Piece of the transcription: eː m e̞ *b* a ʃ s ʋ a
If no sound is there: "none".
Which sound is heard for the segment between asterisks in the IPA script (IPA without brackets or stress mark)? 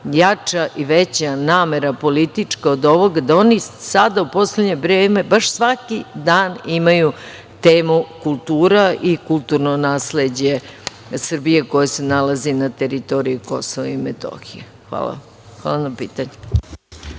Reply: b